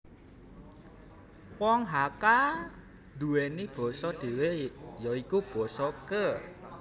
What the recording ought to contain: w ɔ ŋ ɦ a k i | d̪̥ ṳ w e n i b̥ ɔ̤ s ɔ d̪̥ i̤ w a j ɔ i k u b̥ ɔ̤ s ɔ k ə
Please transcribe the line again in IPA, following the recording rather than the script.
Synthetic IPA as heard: w ɔ ŋ ɦ a k a | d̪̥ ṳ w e n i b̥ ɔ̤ s ɔ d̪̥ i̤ w e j ɔ i k u b̥ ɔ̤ s ɔ k ə